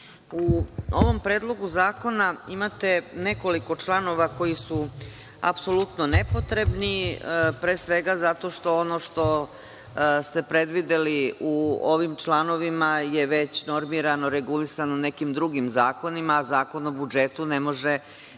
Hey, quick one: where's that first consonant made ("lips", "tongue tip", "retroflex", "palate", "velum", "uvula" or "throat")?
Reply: lips